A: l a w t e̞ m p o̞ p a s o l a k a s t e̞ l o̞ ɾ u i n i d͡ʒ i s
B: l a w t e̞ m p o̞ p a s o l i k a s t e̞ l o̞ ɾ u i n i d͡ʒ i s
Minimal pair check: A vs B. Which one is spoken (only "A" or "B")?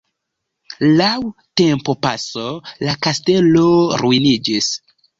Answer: A